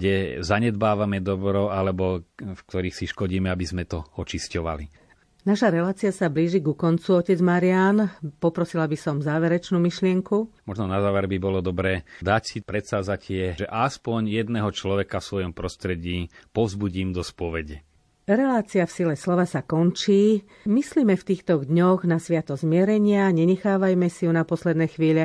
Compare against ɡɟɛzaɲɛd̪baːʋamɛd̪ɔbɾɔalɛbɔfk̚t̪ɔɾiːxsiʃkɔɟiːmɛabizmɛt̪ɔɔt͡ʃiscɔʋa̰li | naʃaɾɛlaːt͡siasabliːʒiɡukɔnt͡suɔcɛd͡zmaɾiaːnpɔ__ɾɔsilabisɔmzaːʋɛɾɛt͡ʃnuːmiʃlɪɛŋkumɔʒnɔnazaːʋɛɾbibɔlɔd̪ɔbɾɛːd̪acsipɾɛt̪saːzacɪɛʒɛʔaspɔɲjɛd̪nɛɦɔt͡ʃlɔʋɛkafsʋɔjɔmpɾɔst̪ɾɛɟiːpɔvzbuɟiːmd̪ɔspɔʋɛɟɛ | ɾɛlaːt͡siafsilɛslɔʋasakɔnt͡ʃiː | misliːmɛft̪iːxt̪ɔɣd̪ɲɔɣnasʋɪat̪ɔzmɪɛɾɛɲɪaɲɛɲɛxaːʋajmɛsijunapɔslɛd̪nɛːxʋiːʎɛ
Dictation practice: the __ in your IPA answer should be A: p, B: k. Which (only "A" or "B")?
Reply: A